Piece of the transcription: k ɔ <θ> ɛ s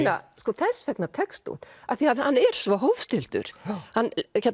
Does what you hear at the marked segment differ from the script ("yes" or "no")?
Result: no